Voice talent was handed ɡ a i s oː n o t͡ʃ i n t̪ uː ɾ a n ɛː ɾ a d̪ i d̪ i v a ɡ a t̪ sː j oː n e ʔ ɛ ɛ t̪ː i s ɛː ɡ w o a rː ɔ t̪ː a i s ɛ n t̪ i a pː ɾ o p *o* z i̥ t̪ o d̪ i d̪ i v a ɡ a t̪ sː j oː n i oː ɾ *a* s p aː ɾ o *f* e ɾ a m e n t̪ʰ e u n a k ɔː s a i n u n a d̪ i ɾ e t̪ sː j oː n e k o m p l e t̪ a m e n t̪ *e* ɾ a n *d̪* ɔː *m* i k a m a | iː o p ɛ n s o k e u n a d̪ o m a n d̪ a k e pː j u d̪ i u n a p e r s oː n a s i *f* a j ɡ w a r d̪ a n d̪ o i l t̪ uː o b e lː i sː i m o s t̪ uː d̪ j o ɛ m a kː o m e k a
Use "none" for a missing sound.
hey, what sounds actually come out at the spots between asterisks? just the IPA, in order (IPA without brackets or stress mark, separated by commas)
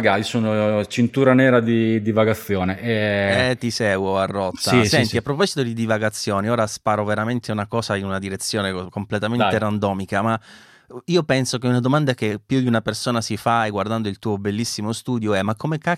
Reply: ɔ, a, v, e, d̪, m, f